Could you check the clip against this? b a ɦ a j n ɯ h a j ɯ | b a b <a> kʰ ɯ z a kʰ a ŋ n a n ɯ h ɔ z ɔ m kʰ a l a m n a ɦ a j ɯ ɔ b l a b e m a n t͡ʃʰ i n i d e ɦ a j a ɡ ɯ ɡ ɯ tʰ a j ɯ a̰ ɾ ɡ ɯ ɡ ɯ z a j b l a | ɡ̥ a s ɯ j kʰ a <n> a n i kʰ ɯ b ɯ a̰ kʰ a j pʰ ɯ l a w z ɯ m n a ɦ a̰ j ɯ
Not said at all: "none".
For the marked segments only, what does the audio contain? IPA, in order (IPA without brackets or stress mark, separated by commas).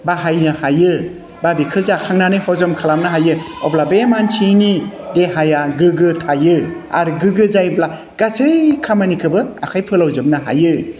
i, m